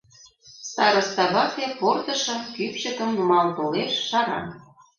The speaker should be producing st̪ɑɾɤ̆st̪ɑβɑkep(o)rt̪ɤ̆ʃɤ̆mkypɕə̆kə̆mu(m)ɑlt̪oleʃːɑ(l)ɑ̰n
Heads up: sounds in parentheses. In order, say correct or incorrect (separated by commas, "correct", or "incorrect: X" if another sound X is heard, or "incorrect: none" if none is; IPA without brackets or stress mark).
correct, correct, incorrect: ɾ